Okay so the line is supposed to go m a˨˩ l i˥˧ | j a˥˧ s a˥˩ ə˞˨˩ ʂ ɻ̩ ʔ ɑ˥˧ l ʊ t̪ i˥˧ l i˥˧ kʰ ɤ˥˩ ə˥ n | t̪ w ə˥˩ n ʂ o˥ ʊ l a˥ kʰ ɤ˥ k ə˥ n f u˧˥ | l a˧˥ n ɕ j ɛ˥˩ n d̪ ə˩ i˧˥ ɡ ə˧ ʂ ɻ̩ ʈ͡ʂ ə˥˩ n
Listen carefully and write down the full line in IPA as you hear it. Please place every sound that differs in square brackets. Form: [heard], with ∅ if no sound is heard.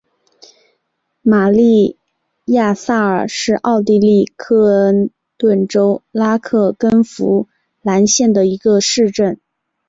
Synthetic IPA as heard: m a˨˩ l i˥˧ | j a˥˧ s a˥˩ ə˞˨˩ ʂ ɻ̩ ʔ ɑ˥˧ [∅] ʊ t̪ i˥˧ l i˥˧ kʰ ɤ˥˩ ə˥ n | t̪ w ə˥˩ n [ʈ͡ʂ] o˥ ʊ l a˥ kʰ [ɤ˥˩] k ə˥ n f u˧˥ | l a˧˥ n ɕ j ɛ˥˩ n d̪ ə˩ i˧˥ ɡ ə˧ ʂ ɻ̩ ʈ͡ʂ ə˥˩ n